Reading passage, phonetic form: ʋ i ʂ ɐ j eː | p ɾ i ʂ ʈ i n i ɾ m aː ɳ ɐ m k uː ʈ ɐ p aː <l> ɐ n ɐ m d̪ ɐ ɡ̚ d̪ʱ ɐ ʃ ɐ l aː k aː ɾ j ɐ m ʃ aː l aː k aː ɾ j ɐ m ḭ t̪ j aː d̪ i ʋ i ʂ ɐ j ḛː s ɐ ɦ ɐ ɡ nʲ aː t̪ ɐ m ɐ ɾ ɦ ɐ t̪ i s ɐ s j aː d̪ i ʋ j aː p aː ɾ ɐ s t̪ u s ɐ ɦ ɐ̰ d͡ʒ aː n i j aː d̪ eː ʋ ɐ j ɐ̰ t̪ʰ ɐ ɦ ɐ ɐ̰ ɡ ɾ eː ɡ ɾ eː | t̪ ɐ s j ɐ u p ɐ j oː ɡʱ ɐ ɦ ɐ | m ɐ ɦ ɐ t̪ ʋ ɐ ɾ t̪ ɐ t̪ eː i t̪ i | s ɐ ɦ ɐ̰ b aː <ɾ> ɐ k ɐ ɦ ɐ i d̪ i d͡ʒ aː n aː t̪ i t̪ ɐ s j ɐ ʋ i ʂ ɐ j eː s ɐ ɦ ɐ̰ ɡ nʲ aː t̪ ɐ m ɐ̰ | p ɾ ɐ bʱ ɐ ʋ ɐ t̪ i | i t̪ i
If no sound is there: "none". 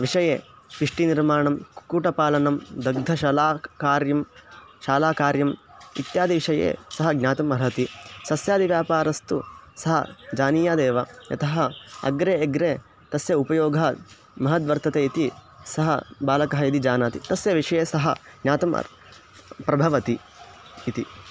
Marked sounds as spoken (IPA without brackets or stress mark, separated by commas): l, l